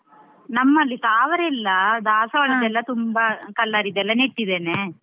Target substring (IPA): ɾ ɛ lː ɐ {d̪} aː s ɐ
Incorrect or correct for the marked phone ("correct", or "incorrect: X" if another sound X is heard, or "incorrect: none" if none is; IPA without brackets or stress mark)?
correct